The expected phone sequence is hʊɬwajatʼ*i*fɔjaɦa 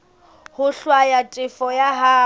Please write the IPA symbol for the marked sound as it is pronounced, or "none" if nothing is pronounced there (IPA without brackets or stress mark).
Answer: ɪ